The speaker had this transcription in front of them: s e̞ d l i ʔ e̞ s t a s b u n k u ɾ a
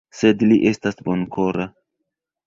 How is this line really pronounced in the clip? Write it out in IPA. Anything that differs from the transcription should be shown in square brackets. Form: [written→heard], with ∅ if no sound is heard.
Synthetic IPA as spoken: s e̞ d l i ʔ e̞ s t a s b [u→o] n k [u→o] ɾ a